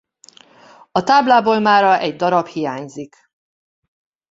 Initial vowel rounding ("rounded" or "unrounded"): rounded